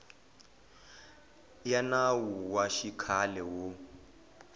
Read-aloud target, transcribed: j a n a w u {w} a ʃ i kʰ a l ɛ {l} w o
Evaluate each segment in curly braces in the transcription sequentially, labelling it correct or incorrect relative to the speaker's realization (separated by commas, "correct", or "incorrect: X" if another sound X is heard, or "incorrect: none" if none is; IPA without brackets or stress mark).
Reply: correct, incorrect: none